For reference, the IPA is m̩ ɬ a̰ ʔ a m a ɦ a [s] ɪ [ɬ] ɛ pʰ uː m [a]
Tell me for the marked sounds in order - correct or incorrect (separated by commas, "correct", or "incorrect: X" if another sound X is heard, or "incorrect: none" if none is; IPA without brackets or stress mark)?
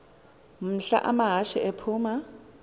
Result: incorrect: ʃ, incorrect: none, correct